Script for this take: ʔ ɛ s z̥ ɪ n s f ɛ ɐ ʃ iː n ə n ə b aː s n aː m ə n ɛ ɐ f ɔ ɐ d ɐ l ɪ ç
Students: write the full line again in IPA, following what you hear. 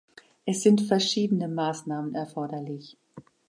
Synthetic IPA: ʔ ɛ s z̥ ɪ n t f ɛ ɐ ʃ iː d ə n ə m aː s n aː m ə n ɛ ɐ f ɔ ɐ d ɐ l ɪ ç